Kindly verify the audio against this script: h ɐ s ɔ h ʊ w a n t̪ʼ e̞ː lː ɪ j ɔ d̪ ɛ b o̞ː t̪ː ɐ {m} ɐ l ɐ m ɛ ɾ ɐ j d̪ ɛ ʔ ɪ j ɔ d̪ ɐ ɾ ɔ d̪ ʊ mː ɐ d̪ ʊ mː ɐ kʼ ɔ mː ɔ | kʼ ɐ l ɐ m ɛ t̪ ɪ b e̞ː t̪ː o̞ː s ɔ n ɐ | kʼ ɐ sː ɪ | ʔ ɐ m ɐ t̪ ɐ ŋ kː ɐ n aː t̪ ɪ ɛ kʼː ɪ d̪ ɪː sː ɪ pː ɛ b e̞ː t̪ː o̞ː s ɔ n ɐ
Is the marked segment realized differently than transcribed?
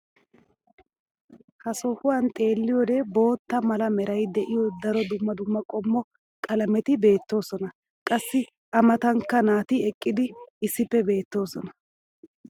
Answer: no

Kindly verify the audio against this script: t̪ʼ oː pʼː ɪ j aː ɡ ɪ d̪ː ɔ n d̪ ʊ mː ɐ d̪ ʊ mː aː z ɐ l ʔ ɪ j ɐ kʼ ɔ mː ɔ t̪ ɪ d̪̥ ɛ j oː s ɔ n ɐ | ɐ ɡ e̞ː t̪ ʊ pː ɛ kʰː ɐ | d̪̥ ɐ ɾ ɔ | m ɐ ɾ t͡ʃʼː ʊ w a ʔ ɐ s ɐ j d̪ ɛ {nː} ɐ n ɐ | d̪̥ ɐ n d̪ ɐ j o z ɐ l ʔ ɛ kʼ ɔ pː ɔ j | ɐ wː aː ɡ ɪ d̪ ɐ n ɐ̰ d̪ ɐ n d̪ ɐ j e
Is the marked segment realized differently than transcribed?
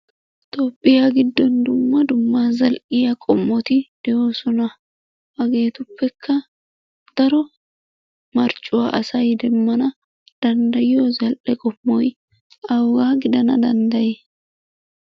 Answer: yes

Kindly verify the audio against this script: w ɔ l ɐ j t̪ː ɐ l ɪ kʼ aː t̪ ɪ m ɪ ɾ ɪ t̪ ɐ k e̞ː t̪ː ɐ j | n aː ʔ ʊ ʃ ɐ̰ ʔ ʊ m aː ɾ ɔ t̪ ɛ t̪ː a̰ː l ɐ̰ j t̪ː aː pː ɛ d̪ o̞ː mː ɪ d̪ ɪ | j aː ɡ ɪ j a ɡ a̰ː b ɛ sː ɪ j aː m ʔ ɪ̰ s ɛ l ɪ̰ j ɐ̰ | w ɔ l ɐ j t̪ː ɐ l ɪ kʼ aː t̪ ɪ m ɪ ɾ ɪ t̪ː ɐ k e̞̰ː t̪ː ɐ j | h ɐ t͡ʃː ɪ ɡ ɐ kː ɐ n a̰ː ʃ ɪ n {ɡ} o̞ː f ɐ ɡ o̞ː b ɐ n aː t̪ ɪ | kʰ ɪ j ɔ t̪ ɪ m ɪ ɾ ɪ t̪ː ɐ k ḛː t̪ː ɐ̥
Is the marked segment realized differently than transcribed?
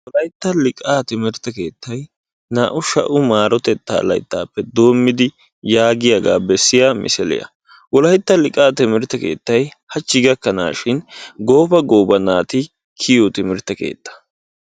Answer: no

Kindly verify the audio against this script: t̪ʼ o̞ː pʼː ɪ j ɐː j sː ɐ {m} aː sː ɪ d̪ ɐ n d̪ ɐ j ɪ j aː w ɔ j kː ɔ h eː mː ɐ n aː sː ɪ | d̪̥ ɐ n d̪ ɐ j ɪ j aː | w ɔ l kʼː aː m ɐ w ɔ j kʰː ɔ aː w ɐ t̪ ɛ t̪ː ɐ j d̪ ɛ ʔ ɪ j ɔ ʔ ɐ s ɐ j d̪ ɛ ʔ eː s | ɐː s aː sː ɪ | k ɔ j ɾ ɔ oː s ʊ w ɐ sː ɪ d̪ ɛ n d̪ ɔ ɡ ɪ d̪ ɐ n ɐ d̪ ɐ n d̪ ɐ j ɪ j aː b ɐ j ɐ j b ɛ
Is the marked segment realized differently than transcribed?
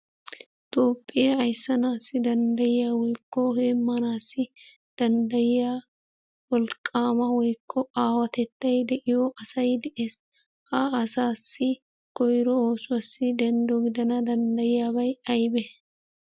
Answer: yes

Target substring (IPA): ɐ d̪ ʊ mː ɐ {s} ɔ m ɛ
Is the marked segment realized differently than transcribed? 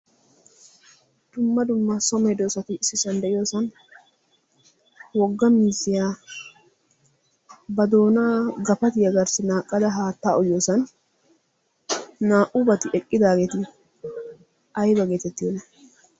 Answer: no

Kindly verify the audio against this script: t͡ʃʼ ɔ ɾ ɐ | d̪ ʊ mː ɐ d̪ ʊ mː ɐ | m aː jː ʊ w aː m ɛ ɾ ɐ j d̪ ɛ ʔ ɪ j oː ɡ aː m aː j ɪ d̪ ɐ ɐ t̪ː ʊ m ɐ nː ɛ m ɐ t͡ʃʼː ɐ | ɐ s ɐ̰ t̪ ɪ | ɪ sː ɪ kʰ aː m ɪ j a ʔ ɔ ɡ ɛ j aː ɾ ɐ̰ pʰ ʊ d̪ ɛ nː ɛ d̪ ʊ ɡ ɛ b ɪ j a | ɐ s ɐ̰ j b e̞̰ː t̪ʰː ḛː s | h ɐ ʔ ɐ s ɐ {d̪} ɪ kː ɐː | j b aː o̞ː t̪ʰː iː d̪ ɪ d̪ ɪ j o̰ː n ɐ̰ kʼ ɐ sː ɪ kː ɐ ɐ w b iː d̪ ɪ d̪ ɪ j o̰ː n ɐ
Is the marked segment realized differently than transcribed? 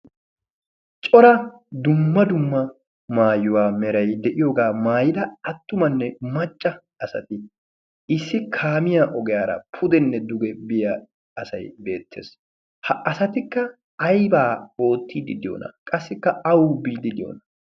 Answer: yes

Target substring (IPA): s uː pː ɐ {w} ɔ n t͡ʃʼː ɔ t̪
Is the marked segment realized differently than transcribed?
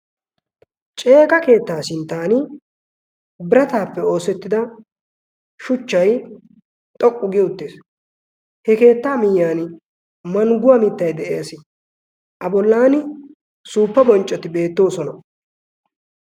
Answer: yes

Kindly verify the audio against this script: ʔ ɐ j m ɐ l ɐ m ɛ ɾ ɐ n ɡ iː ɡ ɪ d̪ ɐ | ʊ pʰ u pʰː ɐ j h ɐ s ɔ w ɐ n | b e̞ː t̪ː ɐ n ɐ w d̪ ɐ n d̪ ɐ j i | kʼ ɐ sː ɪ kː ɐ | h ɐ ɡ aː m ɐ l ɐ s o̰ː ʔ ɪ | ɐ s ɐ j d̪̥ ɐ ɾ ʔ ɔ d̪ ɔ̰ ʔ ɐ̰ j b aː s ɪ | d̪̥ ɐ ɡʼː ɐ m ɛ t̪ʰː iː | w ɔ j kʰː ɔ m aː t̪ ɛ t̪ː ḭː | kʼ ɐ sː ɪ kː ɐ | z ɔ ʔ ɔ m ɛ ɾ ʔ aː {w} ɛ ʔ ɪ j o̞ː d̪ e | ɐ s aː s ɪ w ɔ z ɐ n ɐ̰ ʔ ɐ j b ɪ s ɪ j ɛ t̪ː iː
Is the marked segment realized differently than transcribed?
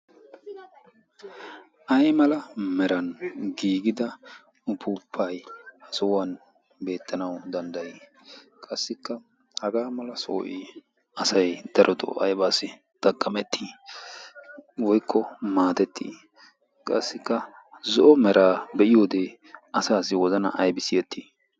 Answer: yes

